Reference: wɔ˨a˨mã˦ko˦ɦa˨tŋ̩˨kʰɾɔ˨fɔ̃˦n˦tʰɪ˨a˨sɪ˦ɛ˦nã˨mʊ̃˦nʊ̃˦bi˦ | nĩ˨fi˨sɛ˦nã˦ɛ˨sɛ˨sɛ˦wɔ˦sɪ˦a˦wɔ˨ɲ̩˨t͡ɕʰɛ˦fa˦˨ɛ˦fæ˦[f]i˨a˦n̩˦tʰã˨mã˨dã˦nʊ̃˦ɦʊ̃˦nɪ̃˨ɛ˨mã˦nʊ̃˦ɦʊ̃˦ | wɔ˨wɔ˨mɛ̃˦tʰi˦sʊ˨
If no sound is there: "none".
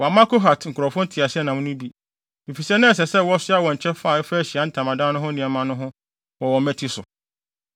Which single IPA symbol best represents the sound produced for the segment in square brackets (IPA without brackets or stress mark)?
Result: ɕ